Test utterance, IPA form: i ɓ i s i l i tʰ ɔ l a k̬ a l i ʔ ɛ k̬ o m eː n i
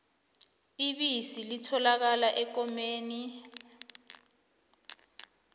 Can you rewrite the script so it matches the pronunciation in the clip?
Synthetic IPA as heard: i ɓ i s i l i tʰ ɔ l a k̬ a l a ʔ ɛ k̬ ɔ m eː n i